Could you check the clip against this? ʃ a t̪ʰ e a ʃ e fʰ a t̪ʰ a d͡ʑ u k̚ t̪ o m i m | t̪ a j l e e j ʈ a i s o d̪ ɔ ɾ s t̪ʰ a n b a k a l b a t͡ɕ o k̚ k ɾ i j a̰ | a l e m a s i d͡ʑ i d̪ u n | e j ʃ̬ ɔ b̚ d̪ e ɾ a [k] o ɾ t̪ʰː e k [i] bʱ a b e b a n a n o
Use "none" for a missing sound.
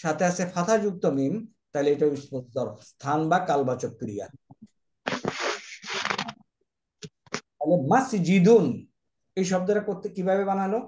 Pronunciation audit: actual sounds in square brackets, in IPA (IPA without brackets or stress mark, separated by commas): k, i